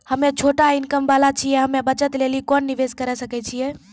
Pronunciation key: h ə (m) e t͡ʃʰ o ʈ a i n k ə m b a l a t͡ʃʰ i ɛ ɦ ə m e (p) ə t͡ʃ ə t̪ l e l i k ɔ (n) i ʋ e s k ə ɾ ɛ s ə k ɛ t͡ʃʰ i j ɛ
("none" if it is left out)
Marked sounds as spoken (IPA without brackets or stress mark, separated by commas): m, b, nː